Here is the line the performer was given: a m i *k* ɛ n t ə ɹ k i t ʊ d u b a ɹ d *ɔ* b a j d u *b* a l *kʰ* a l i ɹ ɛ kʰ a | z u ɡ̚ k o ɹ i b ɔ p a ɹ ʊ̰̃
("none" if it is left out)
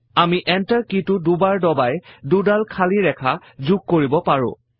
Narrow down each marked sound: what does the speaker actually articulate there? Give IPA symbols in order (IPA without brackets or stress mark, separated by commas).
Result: ʔ, ɔ, d, kʰ